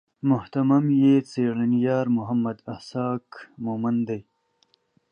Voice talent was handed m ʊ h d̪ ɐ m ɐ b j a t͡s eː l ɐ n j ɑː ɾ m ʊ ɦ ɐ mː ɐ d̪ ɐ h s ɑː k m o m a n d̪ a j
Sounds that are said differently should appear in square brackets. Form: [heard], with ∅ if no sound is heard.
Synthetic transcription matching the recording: m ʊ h [t̪] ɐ m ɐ [m] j [e] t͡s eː [ɽ] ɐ n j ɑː ɾ m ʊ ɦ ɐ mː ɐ d̪ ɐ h s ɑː k m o m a n d̪ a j